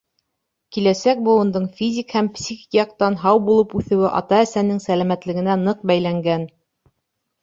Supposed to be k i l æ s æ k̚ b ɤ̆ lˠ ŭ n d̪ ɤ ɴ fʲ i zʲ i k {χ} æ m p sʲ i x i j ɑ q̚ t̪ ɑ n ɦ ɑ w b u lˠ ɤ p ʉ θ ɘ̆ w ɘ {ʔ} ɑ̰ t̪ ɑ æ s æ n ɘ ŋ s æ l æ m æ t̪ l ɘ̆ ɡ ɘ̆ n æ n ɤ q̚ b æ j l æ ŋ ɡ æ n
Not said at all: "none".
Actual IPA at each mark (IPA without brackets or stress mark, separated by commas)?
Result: h, ʔ